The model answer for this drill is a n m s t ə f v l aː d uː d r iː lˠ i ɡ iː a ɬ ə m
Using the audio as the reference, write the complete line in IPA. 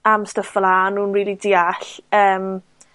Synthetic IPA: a m s t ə f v l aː n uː n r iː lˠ i d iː a ɬ əː m